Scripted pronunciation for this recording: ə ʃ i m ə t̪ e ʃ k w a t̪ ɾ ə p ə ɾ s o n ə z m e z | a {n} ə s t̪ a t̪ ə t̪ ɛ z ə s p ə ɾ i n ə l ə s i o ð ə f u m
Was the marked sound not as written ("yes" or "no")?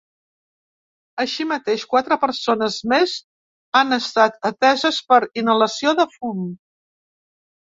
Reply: no